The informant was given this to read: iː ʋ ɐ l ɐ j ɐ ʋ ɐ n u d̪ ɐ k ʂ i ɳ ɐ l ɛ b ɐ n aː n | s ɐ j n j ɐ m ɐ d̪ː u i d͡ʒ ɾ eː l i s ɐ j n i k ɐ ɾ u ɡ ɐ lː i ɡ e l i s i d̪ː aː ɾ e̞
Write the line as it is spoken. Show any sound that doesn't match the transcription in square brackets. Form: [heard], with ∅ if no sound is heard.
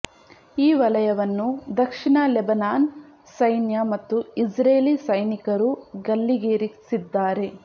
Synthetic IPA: iː ʋ ɐ l ɐ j ɐ ʋ ɐ [nː] u d̪ ɐ k ʂ i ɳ ɐ l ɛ b ɐ n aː n | s ɐ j n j ɐ m ɐ [t̪ː] u i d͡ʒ ɾ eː l i s ɐ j n i k ɐ ɾ u ɡ ɐ lː i ɡ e [ɾ] i s i d̪ː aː ɾ e̞